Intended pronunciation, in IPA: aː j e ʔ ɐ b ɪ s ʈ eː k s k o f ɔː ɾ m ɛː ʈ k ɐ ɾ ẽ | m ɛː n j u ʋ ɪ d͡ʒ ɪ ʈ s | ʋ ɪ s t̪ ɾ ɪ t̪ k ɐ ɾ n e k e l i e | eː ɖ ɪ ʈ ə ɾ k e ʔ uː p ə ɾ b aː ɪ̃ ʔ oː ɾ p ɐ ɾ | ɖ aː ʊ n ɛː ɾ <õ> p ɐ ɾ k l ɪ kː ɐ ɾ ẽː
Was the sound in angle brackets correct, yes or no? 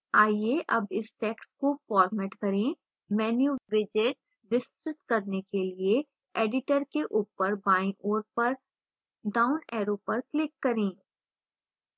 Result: no